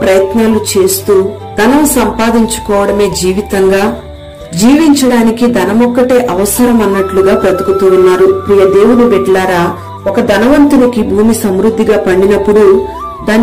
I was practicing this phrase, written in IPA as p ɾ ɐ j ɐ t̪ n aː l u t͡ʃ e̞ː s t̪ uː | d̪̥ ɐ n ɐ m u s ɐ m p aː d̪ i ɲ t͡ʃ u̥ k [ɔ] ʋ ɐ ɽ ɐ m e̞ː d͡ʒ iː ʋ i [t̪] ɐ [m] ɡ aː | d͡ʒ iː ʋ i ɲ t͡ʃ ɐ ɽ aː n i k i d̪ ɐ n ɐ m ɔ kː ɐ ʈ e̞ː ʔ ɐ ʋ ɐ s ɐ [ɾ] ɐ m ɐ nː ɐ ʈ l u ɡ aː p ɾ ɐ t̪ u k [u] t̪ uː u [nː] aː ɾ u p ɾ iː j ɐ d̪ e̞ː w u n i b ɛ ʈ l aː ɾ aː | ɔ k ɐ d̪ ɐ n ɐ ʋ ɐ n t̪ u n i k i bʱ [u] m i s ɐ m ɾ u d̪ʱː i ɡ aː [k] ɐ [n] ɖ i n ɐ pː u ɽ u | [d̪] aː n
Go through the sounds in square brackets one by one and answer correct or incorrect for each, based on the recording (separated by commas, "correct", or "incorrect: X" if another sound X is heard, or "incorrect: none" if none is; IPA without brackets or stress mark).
incorrect: ɔː, correct, incorrect: ŋ, correct, correct, correct, incorrect: uː, incorrect: p, incorrect: ɳ, correct